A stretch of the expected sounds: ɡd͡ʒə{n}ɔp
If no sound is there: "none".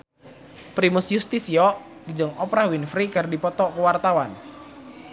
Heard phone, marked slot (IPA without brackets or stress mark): ŋ